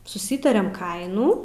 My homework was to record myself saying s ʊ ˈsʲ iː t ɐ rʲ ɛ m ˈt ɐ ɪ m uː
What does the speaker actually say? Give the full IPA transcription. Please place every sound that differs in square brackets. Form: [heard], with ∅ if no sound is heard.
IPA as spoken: s ʊ ˈsʲ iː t ɐ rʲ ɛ m [ˈk] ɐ ɪ [n] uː